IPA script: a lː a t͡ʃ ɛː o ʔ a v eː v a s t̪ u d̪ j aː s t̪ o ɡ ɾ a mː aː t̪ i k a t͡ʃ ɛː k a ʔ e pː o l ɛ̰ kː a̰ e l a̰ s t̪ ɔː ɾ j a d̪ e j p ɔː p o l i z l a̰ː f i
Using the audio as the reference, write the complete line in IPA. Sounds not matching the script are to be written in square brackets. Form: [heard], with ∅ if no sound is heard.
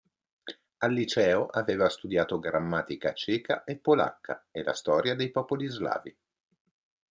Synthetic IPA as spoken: a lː [i] t͡ʃ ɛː o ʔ a v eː v a s t̪ u d̪ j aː [∅] t̪ o ɡ ɾ a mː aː t̪ i k a t͡ʃ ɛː k a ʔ e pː o l [a̰] kː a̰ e l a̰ s t̪ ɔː ɾ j a d̪ e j p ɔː p o l i z l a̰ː [v] i